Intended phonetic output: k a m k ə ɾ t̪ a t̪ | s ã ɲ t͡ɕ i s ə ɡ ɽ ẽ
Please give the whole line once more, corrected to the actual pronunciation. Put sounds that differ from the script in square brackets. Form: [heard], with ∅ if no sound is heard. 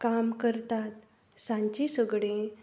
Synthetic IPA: k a m k ə ɾ t̪ a t̪ | s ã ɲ t͡ɕ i s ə ɡ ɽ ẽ